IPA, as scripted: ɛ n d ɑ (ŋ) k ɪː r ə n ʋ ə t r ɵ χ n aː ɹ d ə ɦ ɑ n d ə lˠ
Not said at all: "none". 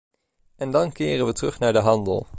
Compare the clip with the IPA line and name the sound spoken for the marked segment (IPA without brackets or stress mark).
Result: n